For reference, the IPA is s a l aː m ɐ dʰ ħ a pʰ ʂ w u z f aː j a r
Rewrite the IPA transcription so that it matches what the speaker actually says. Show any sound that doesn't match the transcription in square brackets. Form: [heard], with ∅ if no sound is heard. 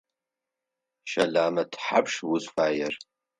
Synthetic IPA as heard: [ʃ] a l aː m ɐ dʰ ħ a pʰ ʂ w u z f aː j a r